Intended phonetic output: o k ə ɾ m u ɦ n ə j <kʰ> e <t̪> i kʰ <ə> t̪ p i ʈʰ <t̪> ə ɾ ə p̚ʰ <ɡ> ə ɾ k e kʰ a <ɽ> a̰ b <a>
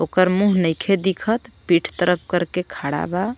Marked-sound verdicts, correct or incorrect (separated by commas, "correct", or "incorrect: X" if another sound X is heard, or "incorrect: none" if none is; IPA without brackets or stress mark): correct, incorrect: d̪, correct, correct, incorrect: k, correct, correct